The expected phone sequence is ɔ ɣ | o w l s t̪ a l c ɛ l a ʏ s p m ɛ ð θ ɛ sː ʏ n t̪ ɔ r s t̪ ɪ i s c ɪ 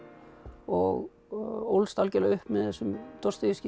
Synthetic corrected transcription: ɔ ɣ | o w l s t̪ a l c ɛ l a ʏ h p m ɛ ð θ ɛ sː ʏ m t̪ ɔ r s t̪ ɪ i s c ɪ